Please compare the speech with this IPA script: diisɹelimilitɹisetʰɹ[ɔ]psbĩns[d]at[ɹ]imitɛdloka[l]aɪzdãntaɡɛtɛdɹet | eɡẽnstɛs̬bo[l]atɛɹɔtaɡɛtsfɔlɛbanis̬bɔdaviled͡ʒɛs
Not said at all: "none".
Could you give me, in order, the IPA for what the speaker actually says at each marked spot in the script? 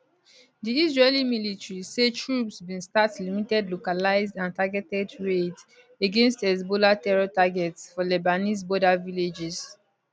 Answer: u, t, l, l, l

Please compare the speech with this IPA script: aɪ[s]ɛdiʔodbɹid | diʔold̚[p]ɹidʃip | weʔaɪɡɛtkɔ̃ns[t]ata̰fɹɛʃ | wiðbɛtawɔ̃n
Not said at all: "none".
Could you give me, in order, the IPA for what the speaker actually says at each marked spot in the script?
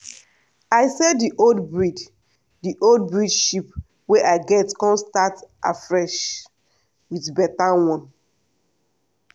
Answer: s, b, t

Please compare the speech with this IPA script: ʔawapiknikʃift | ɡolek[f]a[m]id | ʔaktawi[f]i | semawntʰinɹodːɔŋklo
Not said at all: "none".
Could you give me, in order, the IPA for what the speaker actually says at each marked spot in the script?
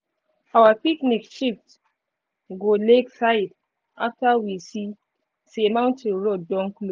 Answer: s, none, s

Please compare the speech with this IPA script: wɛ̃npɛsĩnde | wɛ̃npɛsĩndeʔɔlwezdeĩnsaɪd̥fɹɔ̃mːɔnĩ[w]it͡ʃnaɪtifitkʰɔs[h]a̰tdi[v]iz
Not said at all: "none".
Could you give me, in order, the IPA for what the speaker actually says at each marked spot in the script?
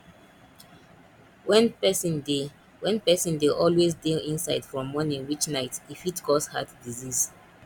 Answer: w, h, z

